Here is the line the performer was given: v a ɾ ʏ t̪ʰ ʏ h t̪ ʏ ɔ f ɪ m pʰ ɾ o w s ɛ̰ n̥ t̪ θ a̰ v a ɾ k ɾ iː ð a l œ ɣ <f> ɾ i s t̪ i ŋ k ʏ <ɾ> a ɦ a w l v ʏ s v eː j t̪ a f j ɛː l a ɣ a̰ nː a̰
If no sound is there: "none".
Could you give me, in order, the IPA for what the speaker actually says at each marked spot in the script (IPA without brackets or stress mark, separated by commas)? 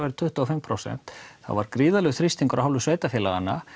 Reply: θ, ɾ